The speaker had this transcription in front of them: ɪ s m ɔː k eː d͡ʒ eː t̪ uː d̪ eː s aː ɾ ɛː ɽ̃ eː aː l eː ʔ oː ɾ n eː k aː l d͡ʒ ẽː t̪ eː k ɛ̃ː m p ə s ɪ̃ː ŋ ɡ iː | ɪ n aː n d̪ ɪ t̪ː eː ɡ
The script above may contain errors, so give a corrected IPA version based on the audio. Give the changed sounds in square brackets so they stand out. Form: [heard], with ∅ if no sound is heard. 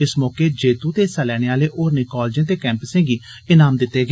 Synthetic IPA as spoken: ɪ s m ɔː k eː d͡ʒ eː t̪ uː [t̪] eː s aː [l] ɛː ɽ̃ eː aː l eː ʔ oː ɾ n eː k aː l d͡ʒ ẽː t̪ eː k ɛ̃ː m p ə s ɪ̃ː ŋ ɡ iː | ɪ n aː [m] d̪ ɪ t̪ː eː ɡ